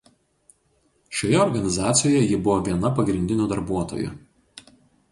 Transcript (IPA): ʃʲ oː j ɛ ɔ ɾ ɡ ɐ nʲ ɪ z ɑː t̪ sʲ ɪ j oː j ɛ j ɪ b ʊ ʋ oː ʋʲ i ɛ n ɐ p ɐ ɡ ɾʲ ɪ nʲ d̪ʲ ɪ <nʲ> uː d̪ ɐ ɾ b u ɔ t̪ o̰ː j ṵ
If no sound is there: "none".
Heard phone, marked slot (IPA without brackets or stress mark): nʲ